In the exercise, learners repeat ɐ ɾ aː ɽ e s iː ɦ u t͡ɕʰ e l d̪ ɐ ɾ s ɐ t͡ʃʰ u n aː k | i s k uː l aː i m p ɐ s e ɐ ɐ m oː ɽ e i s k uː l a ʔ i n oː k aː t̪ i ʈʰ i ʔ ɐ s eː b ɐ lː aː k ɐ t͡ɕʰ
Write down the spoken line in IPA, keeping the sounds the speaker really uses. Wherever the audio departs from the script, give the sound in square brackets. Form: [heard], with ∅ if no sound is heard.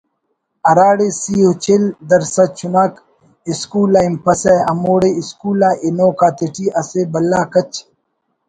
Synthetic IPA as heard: ɐ ɾ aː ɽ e s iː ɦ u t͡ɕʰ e l d̪ ɐ ɾ s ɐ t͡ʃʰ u n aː k | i s k uː l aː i m p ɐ s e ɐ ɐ m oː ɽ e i s k uː l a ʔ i n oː k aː t̪ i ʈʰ i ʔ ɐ s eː b ɐ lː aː k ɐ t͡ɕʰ